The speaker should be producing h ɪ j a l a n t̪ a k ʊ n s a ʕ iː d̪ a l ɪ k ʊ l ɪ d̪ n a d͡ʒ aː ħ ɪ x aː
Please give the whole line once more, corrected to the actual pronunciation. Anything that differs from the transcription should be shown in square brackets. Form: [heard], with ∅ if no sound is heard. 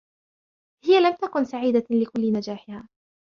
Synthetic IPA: h ɪ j a l a [m] t̪ a k ʊ n s a ʕ iː d̪ a l ɪ k ʊ [lː] ɪ [∅] n a d͡ʒ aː ħ ɪ [h] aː